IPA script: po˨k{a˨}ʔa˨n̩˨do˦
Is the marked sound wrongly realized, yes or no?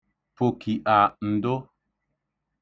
yes